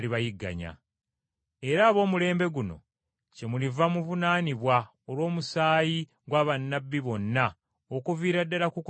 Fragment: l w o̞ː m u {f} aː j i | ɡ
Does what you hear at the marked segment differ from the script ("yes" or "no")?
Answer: yes